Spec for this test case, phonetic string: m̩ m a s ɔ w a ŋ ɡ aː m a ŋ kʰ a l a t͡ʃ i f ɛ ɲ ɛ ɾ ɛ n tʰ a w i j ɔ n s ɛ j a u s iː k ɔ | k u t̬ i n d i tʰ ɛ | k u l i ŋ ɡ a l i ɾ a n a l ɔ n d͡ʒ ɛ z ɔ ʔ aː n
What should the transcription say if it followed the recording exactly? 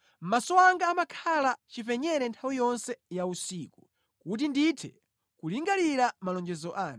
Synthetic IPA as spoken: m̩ m a s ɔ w a ŋ ɡ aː m a kʰ a l a t͡ʃ i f ɛ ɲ ɛ ɾ ɛ n tʰ a w i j ɔ n s ɛ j a u s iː k u | k u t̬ i n d i tʰ ɛ | k u l i ŋ ɡ a l i ɾ a m a l ɔ n d͡ʒ ɛ z ɔ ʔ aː n